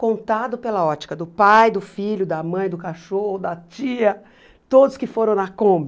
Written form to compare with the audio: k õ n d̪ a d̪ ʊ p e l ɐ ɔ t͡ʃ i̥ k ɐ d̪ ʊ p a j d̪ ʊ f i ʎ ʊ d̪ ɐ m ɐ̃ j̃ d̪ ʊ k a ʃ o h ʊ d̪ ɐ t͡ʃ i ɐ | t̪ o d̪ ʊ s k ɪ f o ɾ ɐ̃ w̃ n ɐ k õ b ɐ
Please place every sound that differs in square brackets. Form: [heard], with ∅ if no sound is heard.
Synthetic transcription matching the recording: k õ n [t̪] a d̪ ʊ p e l ɐ ɔ t͡ʃ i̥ k ɐ d̪ ʊ p a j d̪ ʊ f i ʎ ʊ d̪ ɐ m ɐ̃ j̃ d̪ ʊ k a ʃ o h ʊ d̪ ɐ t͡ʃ i ɐ | t̪ o d̪ ʊ s k ɪ f o ɾ ɐ̃ w̃ n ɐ k õ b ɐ